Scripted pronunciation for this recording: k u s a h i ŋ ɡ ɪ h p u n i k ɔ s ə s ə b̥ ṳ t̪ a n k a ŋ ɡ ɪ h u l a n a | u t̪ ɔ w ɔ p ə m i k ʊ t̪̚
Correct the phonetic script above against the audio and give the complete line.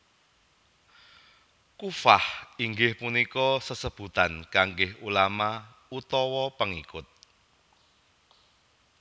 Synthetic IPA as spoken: k u f a h i ŋ ɡ ɪ h p u n i k ɔ s ə s ə b̥ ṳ t̪ a n k a ŋ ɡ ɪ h u l a m a | u t̪ ɔ w ɔ p ə ŋ i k ʊ t̪̚